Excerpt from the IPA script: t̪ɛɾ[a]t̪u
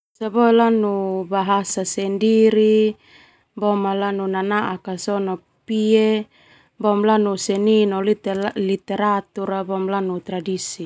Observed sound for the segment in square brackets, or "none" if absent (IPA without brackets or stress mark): a